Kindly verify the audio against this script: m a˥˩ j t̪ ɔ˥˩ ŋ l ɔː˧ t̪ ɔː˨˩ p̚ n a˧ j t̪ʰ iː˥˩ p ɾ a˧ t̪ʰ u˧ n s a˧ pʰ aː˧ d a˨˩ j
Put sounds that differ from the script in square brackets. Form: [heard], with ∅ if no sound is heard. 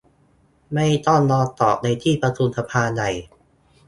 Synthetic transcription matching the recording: m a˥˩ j t̪ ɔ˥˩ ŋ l ɔː˧ t̪ ɔː˨˩ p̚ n a˧ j t̪ʰ iː˥˩ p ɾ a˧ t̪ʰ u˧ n s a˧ pʰ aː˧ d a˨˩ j